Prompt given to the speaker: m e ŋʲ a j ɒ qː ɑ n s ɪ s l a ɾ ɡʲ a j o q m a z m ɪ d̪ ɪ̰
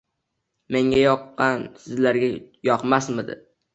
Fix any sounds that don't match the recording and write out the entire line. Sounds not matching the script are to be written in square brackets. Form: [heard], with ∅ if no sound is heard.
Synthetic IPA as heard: m e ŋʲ a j ɒ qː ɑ n s ɪ [z] l a ɾ ɡʲ a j [ɒ] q m a [s] m ɪ d̪ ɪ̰